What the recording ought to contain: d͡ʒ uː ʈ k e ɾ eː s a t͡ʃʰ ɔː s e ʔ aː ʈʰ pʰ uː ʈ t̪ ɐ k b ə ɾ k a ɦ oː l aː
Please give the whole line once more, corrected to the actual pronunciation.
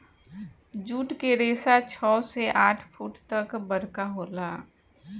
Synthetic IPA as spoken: d͡ʒ uː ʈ k e ɾ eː s a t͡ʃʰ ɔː s e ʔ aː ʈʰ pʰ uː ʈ t̪ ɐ k b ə ɾ k a ɦ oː l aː